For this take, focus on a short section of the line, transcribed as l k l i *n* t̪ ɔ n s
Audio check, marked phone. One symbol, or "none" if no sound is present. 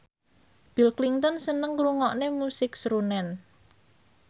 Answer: ŋ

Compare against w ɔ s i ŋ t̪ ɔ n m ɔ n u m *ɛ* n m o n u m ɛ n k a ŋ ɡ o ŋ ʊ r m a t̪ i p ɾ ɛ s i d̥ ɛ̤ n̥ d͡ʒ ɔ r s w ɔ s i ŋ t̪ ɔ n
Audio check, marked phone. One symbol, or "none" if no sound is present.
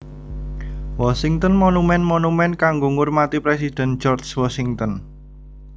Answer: ɛ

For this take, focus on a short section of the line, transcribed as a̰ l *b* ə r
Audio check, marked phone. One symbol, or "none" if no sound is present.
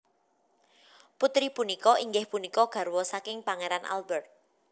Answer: b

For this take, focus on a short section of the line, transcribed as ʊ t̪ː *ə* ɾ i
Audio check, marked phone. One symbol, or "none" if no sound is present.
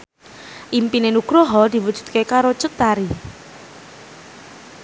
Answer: a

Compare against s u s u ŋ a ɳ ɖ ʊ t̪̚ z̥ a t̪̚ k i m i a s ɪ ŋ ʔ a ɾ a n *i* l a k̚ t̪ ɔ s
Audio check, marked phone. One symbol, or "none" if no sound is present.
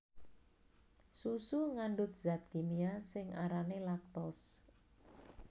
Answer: e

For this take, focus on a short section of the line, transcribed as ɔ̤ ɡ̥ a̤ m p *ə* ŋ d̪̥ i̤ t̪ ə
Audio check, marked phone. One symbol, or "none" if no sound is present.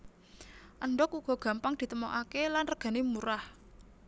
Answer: a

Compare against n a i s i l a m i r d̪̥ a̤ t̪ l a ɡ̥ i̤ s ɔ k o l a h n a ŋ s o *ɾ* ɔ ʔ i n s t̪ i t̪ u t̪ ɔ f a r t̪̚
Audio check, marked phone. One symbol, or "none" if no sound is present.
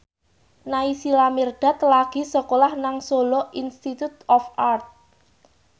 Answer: l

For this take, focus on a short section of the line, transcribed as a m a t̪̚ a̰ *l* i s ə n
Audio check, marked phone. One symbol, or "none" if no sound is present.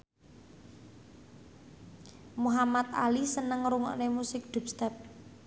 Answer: l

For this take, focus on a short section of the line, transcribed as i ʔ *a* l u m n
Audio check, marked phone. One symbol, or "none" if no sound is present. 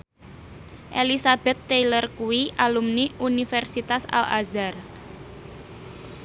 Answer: a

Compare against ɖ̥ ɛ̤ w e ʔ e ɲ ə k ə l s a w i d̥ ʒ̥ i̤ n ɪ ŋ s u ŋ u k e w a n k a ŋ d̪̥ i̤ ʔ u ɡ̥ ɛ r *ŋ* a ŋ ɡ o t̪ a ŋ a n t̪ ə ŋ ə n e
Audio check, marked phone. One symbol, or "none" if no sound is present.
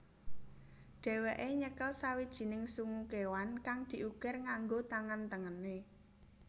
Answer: ŋ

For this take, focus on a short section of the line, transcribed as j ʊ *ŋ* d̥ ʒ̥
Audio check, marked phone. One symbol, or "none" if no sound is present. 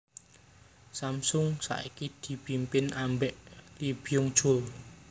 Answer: ŋ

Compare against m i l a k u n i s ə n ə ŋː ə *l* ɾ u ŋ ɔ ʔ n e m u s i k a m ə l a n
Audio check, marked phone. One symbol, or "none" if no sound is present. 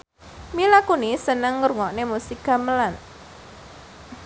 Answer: none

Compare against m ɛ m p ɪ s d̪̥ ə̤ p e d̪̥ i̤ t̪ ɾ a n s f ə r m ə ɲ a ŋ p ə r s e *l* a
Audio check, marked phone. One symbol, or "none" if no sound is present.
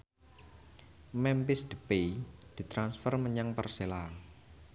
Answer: l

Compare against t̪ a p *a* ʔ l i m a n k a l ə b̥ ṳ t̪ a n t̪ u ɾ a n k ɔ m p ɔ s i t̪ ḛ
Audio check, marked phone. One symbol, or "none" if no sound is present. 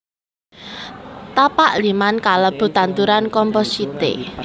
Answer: a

